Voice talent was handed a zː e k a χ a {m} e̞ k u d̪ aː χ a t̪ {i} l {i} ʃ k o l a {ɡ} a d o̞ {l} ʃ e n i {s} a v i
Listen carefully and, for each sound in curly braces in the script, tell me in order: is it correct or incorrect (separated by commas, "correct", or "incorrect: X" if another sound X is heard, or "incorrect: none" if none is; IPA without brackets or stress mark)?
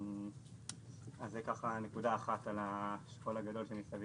incorrect: n, incorrect: a, incorrect: a, correct, correct, correct